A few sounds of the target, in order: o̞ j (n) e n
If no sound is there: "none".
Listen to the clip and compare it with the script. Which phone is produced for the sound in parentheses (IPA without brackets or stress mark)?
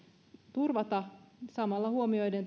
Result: d